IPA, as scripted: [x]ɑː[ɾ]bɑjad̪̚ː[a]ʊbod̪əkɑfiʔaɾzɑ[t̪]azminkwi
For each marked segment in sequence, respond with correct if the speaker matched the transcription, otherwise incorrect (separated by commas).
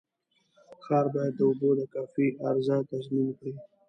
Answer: correct, correct, incorrect, correct